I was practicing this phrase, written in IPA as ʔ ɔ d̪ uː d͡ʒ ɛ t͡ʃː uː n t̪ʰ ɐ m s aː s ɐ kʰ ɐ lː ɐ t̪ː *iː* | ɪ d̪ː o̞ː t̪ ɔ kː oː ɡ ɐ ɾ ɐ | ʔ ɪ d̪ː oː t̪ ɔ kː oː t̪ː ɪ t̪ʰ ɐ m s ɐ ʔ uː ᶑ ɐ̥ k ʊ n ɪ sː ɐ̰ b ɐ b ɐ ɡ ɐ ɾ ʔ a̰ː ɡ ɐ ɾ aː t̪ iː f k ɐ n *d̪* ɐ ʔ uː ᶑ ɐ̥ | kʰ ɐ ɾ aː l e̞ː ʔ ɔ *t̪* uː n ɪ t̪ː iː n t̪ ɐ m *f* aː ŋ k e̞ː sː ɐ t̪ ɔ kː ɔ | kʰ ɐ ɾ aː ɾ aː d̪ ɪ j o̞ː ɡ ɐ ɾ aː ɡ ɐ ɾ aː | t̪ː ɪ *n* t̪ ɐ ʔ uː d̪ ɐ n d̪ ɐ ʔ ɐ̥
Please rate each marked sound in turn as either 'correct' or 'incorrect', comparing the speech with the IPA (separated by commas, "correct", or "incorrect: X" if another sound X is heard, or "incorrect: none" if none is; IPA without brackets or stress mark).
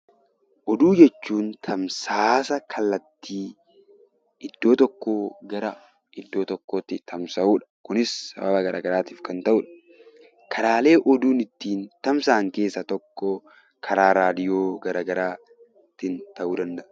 correct, incorrect: t̪, incorrect: d̪, incorrect: s, correct